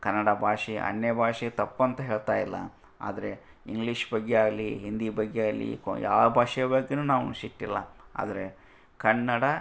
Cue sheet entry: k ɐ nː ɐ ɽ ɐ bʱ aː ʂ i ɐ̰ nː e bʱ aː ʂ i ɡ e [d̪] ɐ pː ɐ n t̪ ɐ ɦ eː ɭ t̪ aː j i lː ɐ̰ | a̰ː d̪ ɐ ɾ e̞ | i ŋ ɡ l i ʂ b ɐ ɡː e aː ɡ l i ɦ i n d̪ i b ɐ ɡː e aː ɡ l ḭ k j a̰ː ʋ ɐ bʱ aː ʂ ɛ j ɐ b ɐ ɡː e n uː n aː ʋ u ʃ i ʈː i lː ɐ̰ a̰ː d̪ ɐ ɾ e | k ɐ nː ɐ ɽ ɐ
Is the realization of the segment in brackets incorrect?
yes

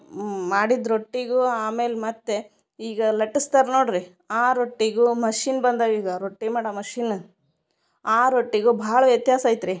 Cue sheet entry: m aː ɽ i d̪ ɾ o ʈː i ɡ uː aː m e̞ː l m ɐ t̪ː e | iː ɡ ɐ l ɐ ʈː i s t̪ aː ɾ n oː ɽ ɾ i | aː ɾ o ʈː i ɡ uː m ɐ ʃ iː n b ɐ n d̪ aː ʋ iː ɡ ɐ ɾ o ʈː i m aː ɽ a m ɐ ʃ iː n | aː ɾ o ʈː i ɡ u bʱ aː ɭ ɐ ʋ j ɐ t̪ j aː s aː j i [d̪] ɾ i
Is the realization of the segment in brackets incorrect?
yes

